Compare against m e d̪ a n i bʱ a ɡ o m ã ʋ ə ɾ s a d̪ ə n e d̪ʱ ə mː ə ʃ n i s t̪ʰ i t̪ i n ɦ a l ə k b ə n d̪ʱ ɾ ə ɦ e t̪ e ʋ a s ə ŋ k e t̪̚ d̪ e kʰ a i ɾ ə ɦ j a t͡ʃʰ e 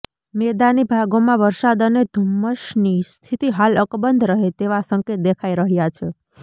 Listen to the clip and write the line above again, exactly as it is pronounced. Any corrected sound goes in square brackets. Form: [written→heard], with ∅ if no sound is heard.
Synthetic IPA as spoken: m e d̪ a n i bʱ a ɡ o m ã ʋ ə ɾ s a d̪ ə n e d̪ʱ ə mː ə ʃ n i s t̪ʰ i t̪ i [n→∅] ɦ a l ə k b ə n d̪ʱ ɾ ə ɦ e t̪ e ʋ a s ə ŋ k e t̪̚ d̪ e kʰ a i ɾ ə ɦ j a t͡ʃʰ e